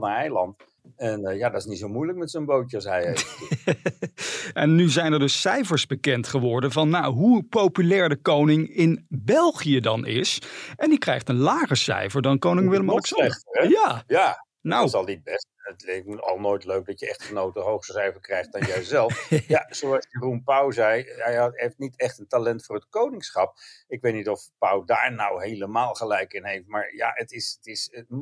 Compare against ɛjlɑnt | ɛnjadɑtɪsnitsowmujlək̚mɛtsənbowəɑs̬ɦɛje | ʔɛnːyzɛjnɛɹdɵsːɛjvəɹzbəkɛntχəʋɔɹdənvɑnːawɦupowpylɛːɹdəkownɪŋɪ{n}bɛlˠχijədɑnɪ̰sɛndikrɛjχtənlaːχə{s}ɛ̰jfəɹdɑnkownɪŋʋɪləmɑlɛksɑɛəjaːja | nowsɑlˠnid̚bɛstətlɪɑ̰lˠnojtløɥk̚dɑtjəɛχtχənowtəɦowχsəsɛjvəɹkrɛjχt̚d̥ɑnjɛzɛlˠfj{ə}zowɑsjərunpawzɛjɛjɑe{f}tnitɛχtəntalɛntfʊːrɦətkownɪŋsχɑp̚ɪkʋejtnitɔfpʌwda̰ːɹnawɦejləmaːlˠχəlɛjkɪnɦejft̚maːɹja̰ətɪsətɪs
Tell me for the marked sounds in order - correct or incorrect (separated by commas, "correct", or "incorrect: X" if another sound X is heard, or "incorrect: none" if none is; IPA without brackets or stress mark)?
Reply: correct, correct, incorrect: a, correct